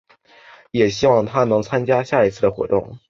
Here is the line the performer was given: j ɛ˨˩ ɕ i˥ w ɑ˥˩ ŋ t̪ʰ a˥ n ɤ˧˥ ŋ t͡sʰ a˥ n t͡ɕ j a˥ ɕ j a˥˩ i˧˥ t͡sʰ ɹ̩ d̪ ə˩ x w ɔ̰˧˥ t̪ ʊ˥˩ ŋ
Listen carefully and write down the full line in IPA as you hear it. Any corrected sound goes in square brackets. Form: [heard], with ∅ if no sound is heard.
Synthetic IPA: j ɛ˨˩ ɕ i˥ w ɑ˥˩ ŋ t̪ʰ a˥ n ɤ˧˥ ŋ t͡sʰ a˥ n t͡ɕ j a˥ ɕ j a˥˩ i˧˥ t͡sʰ ɹ̩ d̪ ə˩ x w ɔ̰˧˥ t̪ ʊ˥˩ ŋ

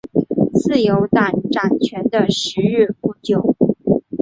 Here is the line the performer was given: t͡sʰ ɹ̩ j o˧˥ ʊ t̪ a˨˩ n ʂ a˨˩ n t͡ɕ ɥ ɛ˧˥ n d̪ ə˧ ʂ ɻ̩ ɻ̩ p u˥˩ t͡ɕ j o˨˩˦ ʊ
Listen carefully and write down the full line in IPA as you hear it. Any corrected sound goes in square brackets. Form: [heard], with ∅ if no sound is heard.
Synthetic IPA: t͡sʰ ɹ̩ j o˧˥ ʊ t̪ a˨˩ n [ʈ͡ʂ] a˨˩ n [t͡ɕʰ] ɥ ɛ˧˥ n d̪ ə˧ ʂ ɻ̩ ɻ̩ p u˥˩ t͡ɕ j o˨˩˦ ʊ

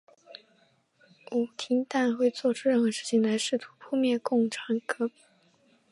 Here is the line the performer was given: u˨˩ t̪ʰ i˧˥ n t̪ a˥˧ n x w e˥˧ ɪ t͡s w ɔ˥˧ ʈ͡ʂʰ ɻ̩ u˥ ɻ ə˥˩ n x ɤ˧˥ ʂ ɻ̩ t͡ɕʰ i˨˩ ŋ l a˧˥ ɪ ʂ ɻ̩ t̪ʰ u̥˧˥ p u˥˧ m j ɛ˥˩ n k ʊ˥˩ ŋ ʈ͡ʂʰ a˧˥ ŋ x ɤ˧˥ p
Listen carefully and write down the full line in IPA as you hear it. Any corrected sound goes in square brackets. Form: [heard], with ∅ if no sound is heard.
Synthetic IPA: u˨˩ t̪ʰ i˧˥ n t̪ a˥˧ n x w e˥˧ ɪ t͡s w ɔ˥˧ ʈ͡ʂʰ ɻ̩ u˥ ɻ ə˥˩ n x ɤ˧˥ ʂ ɻ̩ t͡ɕʰ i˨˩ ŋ l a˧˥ ɪ ʂ ɻ̩ t̪ʰ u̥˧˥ [pʰ] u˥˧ m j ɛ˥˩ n k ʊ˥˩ ŋ ʈ͡ʂʰ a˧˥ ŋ [k] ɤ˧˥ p

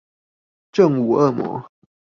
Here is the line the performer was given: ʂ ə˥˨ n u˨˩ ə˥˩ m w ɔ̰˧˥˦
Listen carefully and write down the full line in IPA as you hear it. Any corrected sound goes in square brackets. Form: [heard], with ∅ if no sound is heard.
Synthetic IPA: [ʈ͡ʂ] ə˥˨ [ŋ] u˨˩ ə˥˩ m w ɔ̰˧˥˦

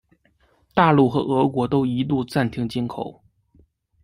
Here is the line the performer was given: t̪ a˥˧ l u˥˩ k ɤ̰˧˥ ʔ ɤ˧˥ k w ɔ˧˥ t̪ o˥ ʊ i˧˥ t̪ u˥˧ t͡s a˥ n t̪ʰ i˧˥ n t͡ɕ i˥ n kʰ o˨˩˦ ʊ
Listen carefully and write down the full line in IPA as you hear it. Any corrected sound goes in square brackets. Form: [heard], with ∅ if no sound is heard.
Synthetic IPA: t̪ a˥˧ l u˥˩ [x] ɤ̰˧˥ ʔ ɤ˧˥ k w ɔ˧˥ t̪ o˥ ʊ i˧˥ t̪ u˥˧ t͡s [a˥˩] n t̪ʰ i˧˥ [ŋ] t͡ɕ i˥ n kʰ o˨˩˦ ʊ

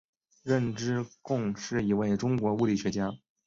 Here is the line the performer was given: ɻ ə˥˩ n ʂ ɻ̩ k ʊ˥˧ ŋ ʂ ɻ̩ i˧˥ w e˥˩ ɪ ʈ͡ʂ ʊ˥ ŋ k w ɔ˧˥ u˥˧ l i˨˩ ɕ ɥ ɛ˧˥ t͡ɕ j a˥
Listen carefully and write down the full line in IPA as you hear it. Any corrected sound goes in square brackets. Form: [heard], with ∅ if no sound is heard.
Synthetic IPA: ɻ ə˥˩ n [ʈ͡ʂ] ɻ̩ k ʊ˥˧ ŋ ʂ ɻ̩ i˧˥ w e˥˩ ɪ ʈ͡ʂ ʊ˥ ŋ k w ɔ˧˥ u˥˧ l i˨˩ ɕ ɥ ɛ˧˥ t͡ɕ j a˥

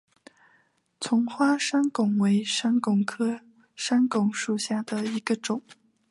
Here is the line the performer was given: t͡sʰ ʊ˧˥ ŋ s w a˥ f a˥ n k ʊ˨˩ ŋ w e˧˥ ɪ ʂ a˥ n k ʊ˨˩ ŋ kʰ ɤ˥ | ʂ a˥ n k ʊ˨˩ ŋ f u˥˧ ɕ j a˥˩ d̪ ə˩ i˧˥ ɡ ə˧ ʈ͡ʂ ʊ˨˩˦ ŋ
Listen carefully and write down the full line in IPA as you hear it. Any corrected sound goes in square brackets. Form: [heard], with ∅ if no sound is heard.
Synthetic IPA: t͡sʰ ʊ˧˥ ŋ [x] w a˥ [ʂ] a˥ n k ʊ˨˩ ŋ w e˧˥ ɪ ʂ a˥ n k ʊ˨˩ ŋ kʰ ɤ˥ | ʂ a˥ n k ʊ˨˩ ŋ [ʂ] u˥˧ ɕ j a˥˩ d̪ ə˩ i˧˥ ɡ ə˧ ʈ͡ʂ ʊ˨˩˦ ŋ

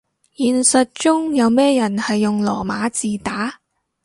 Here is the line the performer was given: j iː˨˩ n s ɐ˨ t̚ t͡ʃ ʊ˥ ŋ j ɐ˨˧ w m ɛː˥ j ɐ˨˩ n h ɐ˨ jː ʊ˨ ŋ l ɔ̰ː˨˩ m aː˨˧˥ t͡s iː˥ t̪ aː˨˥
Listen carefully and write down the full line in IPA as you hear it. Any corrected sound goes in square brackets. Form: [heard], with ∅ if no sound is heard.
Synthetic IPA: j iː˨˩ n s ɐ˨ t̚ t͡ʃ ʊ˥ ŋ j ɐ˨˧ w m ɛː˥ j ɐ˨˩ n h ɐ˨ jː ʊ˨ ŋ l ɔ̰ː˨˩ m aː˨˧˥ t͡s [iː˨] t̪ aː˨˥

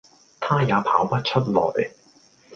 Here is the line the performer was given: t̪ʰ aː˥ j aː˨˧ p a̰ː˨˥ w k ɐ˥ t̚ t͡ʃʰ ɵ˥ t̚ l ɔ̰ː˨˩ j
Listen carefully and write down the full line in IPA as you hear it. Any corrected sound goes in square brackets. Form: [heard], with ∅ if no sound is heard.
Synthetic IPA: t̪ʰ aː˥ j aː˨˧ [pʰ] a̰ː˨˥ w [p] ɐ˥ t̚ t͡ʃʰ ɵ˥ t̚ l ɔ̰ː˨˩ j

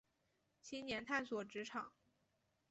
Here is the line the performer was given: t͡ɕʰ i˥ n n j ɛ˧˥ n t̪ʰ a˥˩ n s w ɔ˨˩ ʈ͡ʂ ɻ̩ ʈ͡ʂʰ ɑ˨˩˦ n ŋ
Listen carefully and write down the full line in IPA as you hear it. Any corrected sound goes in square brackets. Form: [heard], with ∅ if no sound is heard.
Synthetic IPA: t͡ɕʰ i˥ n n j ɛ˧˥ n t̪ʰ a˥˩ n s w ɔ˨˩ ʈ͡ʂ ɻ̩ ʈ͡ʂʰ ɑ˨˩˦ [∅] ŋ

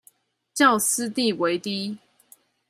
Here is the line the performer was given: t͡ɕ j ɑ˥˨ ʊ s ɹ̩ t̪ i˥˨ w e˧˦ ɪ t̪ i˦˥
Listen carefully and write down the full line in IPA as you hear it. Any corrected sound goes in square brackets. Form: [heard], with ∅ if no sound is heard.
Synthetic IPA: t͡ɕ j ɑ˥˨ ʊ s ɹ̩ t̪ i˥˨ w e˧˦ ɪ t̪ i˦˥

